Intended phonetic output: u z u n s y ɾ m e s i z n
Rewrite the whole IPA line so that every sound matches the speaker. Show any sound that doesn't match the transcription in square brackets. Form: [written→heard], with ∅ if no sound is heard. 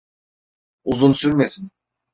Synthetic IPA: u z u n s y ɾ m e s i [z→∅] n